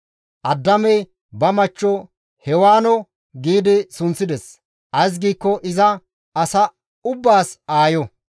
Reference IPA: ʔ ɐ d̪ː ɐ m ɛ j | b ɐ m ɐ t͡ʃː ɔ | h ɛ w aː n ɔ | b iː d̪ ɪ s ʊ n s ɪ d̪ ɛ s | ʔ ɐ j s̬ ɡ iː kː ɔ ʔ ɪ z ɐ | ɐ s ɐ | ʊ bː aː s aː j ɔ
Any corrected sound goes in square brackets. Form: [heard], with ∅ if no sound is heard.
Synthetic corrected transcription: ʔ ɐ d̪ː ɐ m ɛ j | b ɐ m ɐ t͡ʃː ɔ | h ɛ w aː n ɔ | [ɡ] iː d̪ ɪ s ʊ n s ɪ d̪ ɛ s | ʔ ɐ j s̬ ɡ iː kː ɔ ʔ ɪ z ɐ | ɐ s ɐ | ʊ bː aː s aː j ɔ